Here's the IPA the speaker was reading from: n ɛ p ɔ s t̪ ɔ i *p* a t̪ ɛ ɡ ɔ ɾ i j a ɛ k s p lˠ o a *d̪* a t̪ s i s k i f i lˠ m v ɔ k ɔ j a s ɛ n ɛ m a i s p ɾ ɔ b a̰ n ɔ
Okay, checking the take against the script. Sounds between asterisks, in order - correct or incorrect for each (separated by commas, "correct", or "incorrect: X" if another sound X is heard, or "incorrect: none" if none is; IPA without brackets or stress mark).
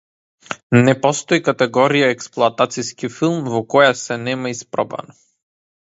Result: incorrect: k, incorrect: t̪